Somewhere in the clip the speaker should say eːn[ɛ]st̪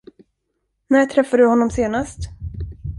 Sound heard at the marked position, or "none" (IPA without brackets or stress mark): a